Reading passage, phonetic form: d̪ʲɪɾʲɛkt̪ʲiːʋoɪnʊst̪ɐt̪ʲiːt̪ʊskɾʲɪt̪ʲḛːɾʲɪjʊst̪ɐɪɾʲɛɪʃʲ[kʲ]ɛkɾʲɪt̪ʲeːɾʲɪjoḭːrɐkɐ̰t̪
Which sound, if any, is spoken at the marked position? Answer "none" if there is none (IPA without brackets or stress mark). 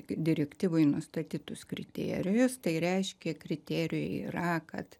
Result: kʲ